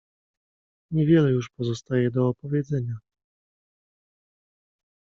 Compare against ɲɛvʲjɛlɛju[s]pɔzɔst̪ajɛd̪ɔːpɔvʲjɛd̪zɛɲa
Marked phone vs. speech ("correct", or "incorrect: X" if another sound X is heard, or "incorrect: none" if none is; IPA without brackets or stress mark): incorrect: ʂ